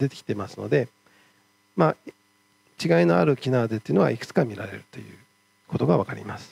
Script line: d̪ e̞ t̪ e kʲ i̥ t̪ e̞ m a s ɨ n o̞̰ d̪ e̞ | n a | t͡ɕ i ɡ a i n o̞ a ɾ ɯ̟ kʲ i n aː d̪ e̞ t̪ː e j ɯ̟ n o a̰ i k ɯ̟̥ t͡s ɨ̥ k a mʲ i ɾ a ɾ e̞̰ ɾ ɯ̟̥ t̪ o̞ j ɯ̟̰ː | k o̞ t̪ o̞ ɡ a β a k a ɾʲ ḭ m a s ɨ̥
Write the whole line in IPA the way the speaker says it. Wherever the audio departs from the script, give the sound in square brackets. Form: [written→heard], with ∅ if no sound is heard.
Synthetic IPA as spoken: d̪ e̞ t̪ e kʲ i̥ t̪ e̞ m a s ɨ n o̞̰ d̪ e̞ | [n→m] a | t͡ɕ i ɡ a i n o̞ a ɾ ɯ̟ kʲ i n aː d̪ e̞ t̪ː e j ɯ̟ n o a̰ i k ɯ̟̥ t͡s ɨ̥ k a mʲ i ɾ a ɾ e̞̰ ɾ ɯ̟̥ t̪ o̞ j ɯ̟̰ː | k o̞ t̪ o̞ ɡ a β a k a ɾʲ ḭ m a s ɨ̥